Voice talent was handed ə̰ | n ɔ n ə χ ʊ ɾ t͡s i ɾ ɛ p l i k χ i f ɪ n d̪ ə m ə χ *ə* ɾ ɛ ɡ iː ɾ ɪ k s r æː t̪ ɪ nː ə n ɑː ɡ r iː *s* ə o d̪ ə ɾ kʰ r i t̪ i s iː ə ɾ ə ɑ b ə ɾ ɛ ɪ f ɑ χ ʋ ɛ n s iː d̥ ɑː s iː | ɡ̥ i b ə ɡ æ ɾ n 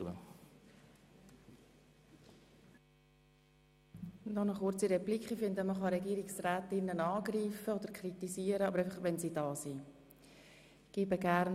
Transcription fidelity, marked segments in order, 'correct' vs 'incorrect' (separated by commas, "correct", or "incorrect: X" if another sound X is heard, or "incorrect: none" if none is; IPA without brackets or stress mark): incorrect: ɑ, incorrect: f